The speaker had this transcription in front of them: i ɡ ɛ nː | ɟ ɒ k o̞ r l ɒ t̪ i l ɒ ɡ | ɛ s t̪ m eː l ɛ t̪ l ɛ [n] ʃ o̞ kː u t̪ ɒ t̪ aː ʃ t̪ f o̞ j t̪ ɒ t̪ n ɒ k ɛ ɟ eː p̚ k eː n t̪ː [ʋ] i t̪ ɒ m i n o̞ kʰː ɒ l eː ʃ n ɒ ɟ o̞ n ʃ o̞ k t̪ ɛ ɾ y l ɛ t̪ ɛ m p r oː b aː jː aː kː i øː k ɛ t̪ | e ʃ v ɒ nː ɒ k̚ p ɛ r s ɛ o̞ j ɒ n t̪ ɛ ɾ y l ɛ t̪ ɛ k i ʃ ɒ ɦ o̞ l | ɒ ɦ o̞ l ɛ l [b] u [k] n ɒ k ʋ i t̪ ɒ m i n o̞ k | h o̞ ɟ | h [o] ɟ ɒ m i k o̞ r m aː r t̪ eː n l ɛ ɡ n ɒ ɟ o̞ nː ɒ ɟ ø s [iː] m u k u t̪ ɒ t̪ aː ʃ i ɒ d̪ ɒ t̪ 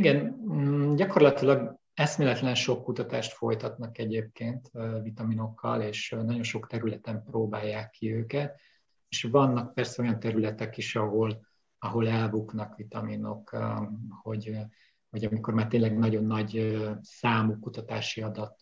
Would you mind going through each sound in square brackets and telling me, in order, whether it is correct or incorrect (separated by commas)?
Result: correct, incorrect, correct, correct, correct, incorrect